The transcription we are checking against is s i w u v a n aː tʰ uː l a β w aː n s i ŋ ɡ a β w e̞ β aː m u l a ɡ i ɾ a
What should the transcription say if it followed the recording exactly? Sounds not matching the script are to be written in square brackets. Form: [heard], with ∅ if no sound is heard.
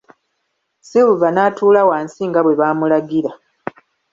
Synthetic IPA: s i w u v a n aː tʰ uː l a [∅] w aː n s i ŋ ɡ a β w e̞ β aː m u l a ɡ i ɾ a